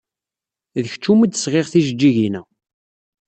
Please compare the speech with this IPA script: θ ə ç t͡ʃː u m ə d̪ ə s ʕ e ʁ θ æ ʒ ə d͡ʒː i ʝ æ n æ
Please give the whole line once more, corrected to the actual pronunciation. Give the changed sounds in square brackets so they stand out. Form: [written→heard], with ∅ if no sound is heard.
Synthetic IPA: [θ→ð] ə ç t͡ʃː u m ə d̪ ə s [ʕ→ʁ] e ʁ θ [æ→i] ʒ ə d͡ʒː i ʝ [æ→i] n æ